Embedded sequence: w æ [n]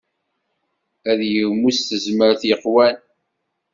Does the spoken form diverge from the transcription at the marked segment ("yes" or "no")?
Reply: no